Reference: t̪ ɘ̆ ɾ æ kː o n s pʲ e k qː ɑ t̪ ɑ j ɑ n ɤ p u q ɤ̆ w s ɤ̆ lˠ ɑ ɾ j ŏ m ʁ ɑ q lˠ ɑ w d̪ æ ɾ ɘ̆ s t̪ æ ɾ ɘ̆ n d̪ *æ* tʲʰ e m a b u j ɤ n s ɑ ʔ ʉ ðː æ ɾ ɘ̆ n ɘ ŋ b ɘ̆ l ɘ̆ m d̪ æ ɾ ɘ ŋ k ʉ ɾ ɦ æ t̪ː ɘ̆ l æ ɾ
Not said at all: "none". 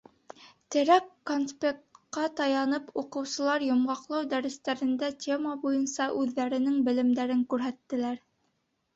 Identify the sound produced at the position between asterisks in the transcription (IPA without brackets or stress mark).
æ